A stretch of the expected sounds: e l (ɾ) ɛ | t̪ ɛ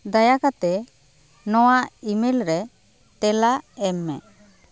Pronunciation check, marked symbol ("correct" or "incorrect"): correct